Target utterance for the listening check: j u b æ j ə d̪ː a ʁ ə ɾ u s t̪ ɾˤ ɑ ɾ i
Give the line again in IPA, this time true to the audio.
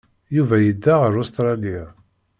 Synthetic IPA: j u v æ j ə d̪ː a ʁ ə ɾ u s t̪ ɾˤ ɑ l i